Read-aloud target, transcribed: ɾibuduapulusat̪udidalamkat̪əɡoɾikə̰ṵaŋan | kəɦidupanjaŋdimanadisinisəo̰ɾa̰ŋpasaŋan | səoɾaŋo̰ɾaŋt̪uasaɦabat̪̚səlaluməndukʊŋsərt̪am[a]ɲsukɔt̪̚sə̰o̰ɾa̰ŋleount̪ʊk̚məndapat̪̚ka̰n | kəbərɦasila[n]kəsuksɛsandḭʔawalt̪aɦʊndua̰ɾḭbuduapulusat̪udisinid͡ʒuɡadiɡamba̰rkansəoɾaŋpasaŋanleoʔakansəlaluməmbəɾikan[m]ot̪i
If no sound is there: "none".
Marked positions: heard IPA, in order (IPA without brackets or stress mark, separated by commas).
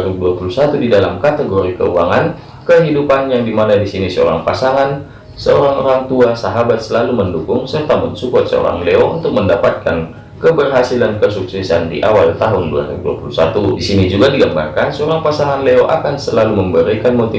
ə, n, m